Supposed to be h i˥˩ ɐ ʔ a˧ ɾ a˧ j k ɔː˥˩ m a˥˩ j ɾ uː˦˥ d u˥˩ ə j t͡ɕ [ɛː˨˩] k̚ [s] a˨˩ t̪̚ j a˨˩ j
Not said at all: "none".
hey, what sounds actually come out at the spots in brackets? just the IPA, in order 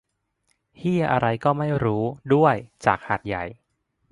aː˨˩, h

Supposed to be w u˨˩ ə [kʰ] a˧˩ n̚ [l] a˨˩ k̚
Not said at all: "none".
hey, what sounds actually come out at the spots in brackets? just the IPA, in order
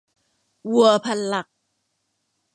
pʰ, l

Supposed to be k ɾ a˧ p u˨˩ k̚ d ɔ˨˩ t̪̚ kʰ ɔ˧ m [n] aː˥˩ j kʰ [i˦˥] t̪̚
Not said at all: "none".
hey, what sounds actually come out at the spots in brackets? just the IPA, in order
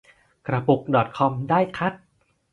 d, a˦˥

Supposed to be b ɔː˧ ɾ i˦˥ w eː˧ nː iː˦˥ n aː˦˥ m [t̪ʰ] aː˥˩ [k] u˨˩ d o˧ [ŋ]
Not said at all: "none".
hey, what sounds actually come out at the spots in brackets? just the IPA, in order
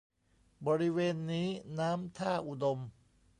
t̪ʰ, ʔ, m

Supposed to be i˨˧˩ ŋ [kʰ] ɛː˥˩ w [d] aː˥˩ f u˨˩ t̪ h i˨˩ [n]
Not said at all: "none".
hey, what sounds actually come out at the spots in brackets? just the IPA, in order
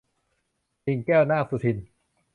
k, n, n

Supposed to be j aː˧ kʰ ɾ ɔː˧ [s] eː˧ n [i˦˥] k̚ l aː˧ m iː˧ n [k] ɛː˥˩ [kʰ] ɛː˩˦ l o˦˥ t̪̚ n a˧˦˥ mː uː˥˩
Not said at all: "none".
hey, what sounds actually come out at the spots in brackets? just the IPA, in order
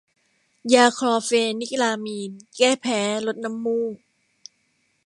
f, i˦˥, k, pʰ

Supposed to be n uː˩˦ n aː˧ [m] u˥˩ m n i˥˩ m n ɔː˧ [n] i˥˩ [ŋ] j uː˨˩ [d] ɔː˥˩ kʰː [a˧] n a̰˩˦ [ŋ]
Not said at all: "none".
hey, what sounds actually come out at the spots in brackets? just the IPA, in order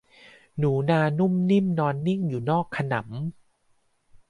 n, nː, ŋ, n, a˧, m

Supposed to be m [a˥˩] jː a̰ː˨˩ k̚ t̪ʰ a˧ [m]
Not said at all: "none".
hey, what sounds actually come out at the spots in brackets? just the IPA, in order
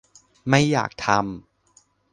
a˥˩, m

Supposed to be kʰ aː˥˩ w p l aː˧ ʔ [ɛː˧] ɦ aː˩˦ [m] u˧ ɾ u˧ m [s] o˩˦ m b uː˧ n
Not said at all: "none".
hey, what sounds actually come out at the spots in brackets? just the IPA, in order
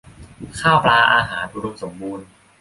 aː˧, n, s

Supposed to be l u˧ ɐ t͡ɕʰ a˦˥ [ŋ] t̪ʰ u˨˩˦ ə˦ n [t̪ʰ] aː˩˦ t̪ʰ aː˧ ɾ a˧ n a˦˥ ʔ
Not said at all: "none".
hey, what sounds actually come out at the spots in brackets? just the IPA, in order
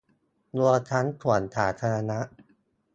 n, t̪ʰ

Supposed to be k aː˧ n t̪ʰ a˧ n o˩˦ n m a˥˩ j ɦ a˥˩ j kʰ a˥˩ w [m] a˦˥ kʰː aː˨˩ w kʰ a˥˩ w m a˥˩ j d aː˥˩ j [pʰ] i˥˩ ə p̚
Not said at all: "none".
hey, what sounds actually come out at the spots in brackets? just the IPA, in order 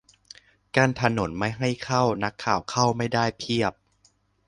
n, pʰ

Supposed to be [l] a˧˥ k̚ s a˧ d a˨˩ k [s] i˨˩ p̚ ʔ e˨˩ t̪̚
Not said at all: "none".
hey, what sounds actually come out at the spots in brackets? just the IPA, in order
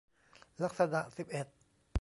l, s

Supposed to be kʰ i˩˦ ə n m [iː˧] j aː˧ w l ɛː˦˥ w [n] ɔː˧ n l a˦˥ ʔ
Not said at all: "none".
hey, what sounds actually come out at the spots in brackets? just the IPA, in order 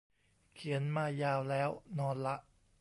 aː˧, n

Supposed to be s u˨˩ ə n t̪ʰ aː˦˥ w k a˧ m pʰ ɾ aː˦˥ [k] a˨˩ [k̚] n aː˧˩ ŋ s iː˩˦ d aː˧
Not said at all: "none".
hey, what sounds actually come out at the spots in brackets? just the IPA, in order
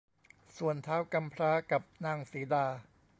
k, p̚

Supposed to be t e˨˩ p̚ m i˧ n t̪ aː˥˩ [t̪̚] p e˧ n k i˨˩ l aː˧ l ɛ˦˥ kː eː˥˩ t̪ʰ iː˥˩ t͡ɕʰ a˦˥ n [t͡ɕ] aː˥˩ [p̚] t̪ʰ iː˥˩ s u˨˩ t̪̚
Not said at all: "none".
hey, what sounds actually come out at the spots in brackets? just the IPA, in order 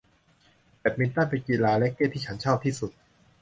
none, t͡ɕʰ, p̚

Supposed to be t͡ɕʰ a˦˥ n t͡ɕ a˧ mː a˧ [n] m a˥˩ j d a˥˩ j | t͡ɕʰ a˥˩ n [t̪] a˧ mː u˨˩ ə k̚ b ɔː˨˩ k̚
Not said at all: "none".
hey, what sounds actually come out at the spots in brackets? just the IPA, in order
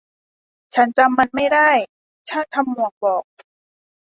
n, t̪ʰ

